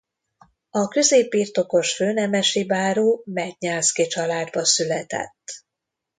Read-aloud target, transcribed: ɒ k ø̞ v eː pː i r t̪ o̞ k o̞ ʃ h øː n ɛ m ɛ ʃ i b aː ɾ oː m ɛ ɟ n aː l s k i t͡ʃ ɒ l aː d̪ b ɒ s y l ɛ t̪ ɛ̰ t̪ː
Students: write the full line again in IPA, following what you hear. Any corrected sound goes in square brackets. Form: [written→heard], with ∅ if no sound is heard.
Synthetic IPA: ɒ k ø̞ [v→z] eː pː i r t̪ o̞ k o̞ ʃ [h→f] øː n ɛ m ɛ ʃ i b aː ɾ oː m ɛ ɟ [n→ɲ] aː l s k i t͡ʃ ɒ l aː d̪ b ɒ s y l ɛ t̪ ɛ̰ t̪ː